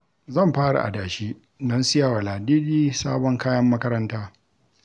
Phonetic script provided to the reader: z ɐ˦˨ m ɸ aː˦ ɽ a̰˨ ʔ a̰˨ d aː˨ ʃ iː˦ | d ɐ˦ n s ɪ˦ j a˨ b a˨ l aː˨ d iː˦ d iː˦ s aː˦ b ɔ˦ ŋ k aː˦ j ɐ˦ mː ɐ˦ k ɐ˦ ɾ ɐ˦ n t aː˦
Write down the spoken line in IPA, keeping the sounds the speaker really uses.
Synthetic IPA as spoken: z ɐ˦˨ m ɸ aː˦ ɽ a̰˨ ʔ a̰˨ d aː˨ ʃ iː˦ | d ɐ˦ n s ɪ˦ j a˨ w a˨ l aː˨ d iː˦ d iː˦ s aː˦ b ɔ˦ ŋ k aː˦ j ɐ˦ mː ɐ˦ k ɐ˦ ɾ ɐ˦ n t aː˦